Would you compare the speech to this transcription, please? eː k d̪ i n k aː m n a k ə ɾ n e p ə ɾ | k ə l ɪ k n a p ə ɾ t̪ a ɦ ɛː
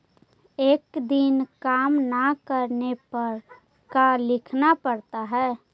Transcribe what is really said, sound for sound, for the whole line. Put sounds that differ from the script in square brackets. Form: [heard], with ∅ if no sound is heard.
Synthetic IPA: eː k d̪ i n k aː m n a k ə ɾ n e p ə ɾ | k [a] l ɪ [kʰ] n a p ə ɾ t̪ a ɦ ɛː

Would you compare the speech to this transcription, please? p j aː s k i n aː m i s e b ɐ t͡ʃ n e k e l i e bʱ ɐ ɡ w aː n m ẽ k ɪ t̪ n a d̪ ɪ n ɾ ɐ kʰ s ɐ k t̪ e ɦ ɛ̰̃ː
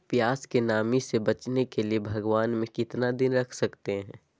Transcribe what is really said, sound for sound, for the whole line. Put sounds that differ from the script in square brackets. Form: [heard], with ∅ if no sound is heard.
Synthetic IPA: p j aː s k [e] n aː m i s e b ɐ t͡ʃ n e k e l i e bʱ ɐ ɡ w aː n m ẽ k ɪ t̪ n a d̪ ɪ n ɾ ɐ kʰ s ɐ k t̪ e ɦ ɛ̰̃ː

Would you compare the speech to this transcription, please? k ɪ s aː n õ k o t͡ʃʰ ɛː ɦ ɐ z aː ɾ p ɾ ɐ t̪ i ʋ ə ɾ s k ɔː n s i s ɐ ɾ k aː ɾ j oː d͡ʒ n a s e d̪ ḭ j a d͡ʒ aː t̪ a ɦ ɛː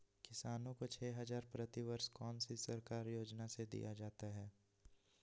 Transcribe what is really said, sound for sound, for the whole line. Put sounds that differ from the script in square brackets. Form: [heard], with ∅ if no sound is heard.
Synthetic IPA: k ɪ s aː n õ k o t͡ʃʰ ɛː ɦ ɐ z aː ɾ p ɾ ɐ t̪ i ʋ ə ɾ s k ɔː n s i s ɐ ɾ k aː ɾ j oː d͡ʒ n a s e d̪ ḭ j a d͡ʒ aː t̪ a ɦ ɛː

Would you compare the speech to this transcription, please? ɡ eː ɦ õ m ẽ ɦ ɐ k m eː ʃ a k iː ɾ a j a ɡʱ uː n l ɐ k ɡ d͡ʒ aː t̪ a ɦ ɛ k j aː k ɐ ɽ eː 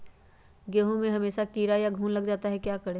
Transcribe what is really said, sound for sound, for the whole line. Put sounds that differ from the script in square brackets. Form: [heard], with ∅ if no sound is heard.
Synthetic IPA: ɡ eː ɦ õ m ẽ ɦ ɐ [∅] m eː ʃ a k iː ɾ a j a ɡʱ uː n l ɐ [∅] ɡ d͡ʒ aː t̪ a ɦ ɛ k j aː k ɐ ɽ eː

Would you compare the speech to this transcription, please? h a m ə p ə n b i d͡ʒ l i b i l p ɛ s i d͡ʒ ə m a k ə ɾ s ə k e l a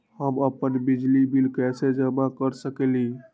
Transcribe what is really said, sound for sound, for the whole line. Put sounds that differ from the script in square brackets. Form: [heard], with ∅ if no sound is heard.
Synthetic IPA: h [ə] m ə p ə n b i d͡ʒ l i b i l [k] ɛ s [e] d͡ʒ ə m a k ə ɾ s ə k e l [i]

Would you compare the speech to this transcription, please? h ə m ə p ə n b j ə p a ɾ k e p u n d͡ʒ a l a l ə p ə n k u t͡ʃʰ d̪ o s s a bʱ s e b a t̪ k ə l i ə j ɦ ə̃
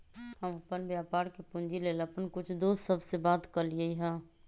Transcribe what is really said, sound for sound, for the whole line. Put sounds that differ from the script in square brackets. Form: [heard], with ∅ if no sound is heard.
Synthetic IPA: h ə m ə p ə n b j [a] p a ɾ k e p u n d͡ʒ [i] l [e] l ə p ə n k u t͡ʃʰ d̪ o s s [ə] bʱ s e b a t̪ k ə l i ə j ɦ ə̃

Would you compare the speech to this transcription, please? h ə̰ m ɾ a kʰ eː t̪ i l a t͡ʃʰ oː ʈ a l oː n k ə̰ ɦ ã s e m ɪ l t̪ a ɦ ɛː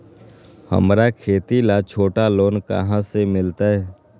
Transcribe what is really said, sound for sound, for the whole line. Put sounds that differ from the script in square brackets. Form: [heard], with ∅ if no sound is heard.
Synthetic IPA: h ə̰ m ɾ a kʰ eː t̪ i l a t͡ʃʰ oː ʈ a l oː n k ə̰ ɦ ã s e m ɪ l t̪ a ɦ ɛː

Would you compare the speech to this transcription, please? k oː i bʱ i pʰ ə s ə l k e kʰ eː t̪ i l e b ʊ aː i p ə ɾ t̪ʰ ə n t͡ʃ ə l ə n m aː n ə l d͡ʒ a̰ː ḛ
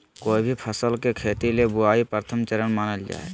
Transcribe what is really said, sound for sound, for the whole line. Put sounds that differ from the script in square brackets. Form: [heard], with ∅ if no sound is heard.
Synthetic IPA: k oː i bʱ i pʰ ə s ə l k e kʰ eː t̪ i l e b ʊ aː i p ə ɾ t̪ʰ ə [m] t͡ʃ ə [ɾ] ə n m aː n ə l d͡ʒ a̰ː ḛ

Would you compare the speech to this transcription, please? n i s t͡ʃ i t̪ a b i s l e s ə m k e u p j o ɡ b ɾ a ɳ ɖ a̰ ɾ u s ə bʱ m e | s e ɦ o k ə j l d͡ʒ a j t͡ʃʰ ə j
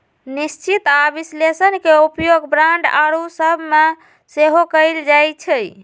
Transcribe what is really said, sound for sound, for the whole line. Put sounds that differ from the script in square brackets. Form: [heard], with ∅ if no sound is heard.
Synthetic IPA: n i s t͡ʃ i t̪ a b i s l e s ə [n] k e u p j o ɡ b ɾ a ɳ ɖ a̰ ɾ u s ə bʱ m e | s e ɦ o k ə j l d͡ʒ a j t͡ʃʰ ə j

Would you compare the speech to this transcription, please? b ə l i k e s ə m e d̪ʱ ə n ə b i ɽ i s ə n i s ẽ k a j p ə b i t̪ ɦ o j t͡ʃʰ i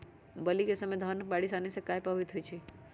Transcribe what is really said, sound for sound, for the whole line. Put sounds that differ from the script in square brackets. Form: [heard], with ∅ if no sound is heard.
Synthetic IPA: b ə l i k e s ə m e d̪ʱ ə n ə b [a] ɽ i s [a] n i s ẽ k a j p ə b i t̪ ɦ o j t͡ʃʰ i

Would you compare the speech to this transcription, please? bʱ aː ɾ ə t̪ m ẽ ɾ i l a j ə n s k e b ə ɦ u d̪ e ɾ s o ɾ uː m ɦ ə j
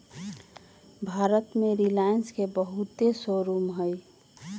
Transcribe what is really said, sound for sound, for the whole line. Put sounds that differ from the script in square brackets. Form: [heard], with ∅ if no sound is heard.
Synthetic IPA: bʱ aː ɾ ə t̪ m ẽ ɾ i l a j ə n s k e b ə ɦ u [t̪] e [∅] s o ɾ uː m ɦ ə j

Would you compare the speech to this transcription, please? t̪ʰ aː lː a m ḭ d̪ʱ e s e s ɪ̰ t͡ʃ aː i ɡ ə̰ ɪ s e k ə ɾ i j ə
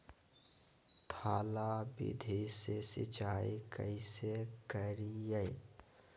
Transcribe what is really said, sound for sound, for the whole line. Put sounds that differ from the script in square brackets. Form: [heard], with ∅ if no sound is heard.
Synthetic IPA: t̪ʰ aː [l] a [b] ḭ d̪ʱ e s e s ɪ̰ t͡ʃ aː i [k] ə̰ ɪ s e k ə ɾ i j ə

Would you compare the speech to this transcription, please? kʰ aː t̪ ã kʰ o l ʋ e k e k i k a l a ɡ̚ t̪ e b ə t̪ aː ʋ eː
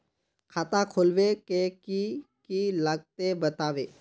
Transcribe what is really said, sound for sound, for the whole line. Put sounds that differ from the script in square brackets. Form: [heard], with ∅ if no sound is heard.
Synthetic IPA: kʰ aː t̪ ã kʰ o l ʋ e k e k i k [i] l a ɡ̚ t̪ e b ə t̪ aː ʋ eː

